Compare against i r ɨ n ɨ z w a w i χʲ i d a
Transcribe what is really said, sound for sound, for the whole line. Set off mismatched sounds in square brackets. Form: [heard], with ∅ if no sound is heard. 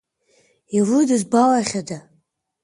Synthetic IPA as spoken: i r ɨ [d] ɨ z [b] a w [a] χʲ [a] d a